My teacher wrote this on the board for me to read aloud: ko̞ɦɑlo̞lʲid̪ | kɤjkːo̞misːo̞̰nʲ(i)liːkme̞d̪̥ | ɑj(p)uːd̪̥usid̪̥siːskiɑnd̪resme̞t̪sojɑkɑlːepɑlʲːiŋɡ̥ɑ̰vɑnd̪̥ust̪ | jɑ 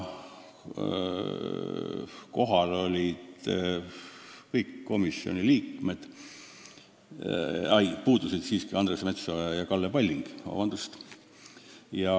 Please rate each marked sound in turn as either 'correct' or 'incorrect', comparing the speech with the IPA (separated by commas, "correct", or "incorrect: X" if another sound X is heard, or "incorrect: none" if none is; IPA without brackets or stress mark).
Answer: correct, correct